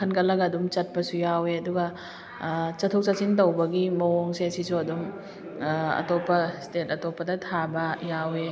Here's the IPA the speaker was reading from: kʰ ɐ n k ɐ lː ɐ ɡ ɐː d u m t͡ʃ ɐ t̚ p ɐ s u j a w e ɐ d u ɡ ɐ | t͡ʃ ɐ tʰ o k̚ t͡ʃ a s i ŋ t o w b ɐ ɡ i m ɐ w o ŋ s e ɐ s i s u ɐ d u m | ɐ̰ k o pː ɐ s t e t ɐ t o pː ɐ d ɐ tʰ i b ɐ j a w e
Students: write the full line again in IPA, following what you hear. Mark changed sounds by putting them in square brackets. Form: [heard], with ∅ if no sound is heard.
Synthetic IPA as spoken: kʰ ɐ n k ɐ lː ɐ ɡ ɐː d u m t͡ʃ ɐ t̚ p ɐ s u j a w e ɐ d u ɡ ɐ | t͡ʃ ɐ tʰ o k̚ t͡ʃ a s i [n] t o w b ɐ ɡ i m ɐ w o ŋ s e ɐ s i s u ɐ d u m | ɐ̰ [t] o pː ɐ s t e t ɐ t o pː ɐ d ɐ tʰ [a] b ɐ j a w e